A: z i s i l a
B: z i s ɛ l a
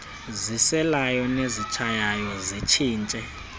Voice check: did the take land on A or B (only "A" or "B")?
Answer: B